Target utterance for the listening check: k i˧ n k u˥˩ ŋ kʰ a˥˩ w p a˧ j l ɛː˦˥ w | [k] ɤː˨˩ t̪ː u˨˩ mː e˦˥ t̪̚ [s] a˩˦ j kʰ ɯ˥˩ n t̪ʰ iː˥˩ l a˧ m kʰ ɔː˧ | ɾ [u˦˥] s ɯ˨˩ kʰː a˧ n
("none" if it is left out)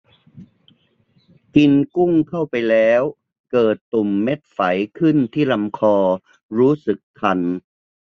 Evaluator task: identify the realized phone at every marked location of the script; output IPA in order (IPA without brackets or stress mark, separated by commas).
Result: k, f, uː˦˥